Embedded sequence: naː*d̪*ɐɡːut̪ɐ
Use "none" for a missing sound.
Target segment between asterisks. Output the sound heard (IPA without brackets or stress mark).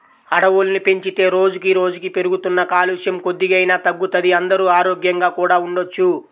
t̪